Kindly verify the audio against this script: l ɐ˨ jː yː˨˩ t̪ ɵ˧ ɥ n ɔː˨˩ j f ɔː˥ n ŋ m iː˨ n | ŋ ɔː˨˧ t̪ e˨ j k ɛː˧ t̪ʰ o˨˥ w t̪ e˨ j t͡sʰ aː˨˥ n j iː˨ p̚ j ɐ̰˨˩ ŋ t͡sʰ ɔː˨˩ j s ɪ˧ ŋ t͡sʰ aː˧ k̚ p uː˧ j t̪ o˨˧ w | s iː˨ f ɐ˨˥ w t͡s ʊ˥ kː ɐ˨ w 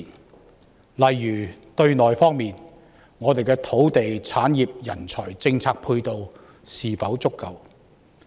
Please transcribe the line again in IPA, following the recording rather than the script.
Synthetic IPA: l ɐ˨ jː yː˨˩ t̪ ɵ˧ ɥ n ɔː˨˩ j f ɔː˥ ŋ m iː˨ n | ŋ ɔː˨˧ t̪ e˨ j k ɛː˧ t̪ʰ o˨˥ w t̪ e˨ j t͡sʰ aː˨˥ n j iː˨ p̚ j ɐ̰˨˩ n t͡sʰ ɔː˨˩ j t͡s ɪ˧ ŋ t͡sʰ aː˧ k̚ pʰ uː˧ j t̪ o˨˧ w | s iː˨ f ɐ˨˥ w t͡s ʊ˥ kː ɐ˨ w